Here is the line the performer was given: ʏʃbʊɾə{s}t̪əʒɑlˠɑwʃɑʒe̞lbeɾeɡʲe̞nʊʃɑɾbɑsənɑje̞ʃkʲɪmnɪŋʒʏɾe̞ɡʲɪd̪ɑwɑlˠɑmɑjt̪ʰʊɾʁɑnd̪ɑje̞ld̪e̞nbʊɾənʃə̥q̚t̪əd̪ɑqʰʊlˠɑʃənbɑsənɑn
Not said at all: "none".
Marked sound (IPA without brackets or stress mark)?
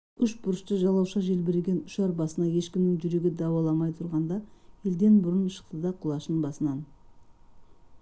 ʃ